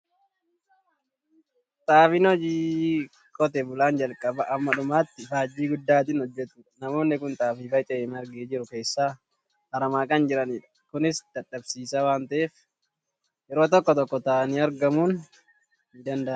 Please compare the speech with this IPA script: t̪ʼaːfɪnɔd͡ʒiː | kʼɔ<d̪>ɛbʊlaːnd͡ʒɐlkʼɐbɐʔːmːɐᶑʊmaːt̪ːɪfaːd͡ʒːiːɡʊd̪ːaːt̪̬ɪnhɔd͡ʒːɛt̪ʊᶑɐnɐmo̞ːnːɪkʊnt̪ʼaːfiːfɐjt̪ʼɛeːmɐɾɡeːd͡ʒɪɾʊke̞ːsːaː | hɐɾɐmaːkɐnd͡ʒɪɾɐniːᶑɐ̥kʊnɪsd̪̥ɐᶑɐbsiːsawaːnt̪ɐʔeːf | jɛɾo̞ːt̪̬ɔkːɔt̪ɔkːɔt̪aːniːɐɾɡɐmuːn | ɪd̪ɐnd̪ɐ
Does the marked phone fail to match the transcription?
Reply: yes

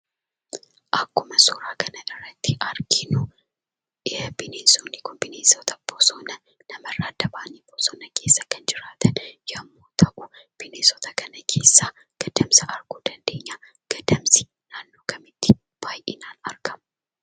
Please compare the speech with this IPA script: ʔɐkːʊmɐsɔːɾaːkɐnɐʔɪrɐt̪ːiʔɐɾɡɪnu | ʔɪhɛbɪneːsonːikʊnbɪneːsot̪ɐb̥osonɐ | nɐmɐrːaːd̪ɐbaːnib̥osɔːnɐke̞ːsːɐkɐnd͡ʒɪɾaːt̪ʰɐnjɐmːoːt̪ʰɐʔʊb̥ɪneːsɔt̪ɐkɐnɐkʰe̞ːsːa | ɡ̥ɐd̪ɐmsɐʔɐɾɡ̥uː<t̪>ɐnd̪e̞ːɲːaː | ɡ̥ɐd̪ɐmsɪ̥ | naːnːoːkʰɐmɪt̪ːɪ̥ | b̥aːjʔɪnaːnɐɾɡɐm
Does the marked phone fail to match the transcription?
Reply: yes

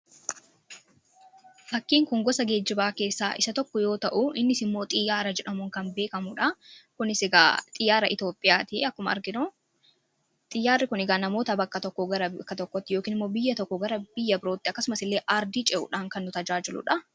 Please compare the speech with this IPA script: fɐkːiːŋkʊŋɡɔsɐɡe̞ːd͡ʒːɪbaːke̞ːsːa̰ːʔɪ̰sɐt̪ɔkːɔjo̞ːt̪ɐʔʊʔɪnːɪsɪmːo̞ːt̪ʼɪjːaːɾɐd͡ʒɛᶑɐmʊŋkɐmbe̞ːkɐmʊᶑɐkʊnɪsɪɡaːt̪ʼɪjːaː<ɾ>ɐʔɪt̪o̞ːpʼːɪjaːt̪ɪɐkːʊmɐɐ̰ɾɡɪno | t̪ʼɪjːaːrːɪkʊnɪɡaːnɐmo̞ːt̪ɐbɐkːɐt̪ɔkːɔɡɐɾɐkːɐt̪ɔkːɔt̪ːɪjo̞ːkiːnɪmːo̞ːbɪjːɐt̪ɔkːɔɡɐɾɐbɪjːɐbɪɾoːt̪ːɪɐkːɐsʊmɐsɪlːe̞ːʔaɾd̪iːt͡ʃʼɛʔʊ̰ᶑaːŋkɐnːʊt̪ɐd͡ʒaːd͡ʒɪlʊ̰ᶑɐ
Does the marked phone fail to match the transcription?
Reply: no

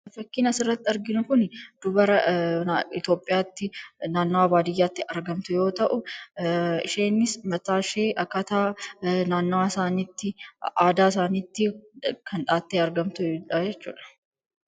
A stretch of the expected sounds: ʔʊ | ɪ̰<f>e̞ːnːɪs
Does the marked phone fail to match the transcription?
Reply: yes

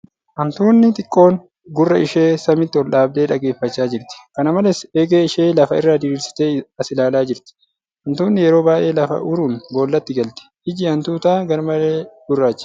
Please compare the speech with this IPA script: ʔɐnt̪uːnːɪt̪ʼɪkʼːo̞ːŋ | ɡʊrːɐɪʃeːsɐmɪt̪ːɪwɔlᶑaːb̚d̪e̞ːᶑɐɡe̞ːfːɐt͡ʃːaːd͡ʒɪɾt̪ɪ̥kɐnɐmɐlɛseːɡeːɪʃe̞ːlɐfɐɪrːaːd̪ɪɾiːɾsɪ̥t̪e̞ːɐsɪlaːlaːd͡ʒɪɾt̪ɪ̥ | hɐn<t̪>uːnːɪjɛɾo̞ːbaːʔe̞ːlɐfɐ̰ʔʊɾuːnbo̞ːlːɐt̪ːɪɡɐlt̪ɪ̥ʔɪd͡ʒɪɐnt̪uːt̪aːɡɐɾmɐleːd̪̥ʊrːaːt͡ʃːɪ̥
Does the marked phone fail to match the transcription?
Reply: no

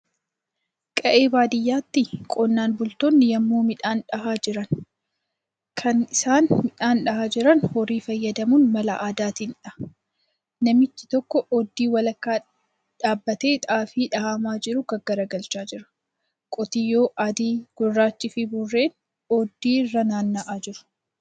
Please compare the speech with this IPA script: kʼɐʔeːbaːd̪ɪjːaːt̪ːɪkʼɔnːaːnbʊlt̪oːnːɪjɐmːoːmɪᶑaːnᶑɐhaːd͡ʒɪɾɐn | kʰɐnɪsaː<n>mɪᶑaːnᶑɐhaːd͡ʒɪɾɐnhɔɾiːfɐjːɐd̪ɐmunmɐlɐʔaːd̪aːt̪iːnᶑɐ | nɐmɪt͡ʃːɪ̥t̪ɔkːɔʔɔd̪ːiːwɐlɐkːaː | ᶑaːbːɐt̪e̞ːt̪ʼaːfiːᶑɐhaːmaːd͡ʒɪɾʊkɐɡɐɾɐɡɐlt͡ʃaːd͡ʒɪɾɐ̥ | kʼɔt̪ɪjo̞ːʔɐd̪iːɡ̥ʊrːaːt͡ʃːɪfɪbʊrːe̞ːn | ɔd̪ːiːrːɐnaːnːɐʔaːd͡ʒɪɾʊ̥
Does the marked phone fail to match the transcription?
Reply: no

